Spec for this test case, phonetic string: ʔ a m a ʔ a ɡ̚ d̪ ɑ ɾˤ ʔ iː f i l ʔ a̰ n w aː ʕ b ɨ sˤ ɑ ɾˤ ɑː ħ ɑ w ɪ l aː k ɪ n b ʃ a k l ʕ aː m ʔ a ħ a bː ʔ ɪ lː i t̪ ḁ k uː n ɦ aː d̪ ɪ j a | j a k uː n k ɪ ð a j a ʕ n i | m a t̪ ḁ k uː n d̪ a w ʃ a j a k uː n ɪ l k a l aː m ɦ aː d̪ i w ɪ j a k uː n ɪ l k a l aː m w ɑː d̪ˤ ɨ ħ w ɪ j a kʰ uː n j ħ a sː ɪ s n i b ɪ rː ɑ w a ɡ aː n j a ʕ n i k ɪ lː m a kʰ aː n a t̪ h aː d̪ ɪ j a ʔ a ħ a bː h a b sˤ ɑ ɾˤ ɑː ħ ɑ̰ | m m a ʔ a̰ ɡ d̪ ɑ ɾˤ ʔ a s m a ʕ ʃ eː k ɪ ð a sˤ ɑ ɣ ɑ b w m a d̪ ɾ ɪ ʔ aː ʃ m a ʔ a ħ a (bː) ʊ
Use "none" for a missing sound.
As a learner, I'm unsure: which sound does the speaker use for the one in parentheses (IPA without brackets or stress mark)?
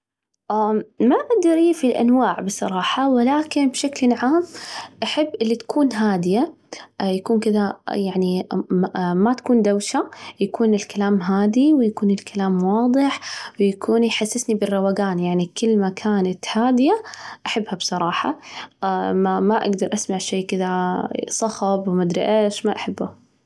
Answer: bː